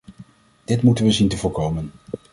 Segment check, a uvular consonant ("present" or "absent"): absent